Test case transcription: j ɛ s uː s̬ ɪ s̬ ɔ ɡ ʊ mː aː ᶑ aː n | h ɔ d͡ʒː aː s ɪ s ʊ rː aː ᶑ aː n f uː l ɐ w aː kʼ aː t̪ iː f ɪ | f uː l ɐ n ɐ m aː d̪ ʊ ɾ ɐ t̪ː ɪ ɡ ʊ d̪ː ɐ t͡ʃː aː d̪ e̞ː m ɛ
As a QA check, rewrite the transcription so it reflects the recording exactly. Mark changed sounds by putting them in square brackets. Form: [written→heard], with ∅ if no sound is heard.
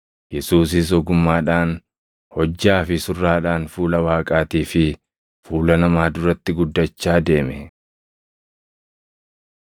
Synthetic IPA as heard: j ɛ s uː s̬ ɪ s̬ ɔ ɡ ʊ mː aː ᶑ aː n | h ɔ d͡ʒː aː [s→f] ɪ s ʊ rː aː ᶑ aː n f uː l ɐ w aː kʼ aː t̪ iː f ɪ | f uː l ɐ n ɐ m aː d̪ ʊ ɾ ɐ t̪ː ɪ ɡ ʊ d̪ː ɐ t͡ʃː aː d̪ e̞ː m ɛ